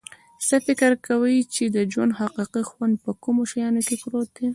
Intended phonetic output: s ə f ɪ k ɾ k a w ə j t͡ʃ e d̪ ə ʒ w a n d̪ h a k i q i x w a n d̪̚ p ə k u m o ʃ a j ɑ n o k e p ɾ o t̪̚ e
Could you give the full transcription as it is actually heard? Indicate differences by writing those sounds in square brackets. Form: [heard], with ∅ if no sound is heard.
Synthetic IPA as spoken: s ə f ɪ k ɾ k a w ə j t͡ʃ e d̪ ə [d͡ʒ] w a n d̪ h a [q] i q i x w a n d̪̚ p ə k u m o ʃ a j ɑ n o k e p ɾ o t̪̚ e

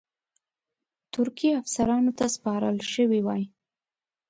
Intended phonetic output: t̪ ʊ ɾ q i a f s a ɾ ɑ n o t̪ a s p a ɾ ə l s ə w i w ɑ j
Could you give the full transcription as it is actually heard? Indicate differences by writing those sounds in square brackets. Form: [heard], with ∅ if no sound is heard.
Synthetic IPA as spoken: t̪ ʊ ɾ [k] i a f s a ɾ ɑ n o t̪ a s p [ɑ] ɾ ə l [ʃ] ə w i w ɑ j

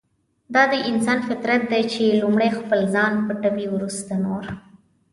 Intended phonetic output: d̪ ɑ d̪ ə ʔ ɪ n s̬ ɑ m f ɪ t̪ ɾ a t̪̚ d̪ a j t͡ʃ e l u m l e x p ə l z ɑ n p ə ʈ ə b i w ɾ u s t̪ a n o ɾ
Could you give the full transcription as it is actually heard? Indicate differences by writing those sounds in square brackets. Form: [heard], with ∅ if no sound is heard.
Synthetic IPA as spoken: d̪ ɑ d̪ ə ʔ ɪ n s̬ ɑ [n] f ɪ t̪ ɾ a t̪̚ d̪ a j t͡ʃ e l u m [ɽ] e x p ə l z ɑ n p ə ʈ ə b i w ɾ u s t̪ a n o ɾ

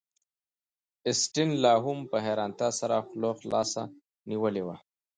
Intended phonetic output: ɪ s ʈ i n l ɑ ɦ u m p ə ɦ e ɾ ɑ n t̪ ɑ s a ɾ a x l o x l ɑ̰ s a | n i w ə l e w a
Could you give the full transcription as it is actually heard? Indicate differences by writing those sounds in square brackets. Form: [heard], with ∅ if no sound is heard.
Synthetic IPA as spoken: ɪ s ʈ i n l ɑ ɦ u m p ə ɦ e ɾ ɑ n t̪ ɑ s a ɾ a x l o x l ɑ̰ s a | n i w ə l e w a

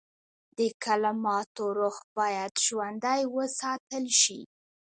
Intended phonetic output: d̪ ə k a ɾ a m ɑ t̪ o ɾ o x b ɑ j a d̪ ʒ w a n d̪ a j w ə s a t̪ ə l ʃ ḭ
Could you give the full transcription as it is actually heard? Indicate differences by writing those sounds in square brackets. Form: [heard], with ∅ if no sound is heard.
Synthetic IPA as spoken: d̪ ə k a [l] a m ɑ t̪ o ɾ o x b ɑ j a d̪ ʒ w a n d̪ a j w ə s [ɑ] t̪ ə l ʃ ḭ

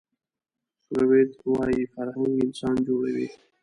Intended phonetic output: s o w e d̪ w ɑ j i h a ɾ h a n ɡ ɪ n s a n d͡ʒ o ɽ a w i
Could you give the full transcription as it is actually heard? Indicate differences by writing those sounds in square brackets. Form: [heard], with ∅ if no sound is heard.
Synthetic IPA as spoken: s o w e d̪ w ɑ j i [f] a ɾ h a [ŋ] ɡ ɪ n s [ɑ] n d͡ʒ o ɽ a w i

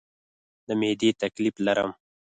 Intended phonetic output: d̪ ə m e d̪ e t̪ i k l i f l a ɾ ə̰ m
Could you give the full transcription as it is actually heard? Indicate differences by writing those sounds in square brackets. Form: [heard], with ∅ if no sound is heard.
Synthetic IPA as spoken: d̪ ə m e d̪ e t̪ [a] k l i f l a ɾ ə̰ m

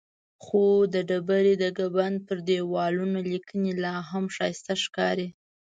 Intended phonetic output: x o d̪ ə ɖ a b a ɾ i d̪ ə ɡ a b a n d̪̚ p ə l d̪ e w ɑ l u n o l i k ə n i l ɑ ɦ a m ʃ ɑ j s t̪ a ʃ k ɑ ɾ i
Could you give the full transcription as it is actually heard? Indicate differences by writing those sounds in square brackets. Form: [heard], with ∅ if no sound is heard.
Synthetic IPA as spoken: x o d̪ ə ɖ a b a ɾ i d̪ ə ɡ a b a n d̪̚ p ə [ɾ] d̪ e w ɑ l u n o l i k ə n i l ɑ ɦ a m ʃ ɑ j s t̪ a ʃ k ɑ ɾ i

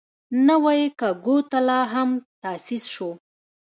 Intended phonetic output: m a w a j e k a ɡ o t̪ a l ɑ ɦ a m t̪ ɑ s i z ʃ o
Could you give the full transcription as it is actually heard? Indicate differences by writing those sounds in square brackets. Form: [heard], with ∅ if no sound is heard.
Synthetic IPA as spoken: [n] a w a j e k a ɡ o t̪ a l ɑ ɦ a m t̪ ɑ s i [s] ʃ o

